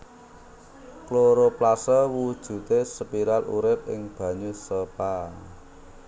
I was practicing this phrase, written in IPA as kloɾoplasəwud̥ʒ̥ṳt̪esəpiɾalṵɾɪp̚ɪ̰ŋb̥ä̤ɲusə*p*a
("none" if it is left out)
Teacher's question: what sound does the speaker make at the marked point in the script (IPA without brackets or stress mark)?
p